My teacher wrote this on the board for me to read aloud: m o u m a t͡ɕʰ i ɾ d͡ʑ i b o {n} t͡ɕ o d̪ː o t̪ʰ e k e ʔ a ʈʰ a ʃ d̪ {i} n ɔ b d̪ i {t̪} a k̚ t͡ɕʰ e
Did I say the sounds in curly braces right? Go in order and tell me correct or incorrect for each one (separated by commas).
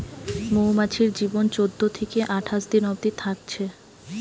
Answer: correct, correct, incorrect